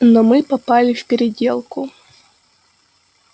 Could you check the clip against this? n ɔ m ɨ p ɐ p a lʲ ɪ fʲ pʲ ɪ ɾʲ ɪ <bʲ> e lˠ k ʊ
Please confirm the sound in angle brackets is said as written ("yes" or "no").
no